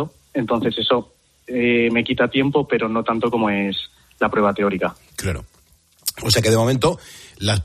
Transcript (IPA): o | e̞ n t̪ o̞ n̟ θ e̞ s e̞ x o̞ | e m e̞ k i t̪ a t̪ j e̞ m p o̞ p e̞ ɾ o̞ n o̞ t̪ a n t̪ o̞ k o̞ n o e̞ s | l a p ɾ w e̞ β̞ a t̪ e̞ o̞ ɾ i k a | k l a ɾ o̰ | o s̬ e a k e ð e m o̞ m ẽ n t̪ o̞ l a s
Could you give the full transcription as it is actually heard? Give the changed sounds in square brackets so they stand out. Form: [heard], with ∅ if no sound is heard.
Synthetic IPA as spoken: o | e̞ n t̪ o̞ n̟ θ e̞ s e̞ [s] o̞ | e m e̞ k i t̪ a t̪ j e̞ m p o̞ p e̞ ɾ o̞ n o̞ t̪ a n t̪ o̞ k o̞ [m] o e̞ s | l a p ɾ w e̞ β̞ a t̪ e̞ o̞ ɾ i k a | k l a ɾ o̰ | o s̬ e a k e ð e m o̞ m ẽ n t̪ o̞ l a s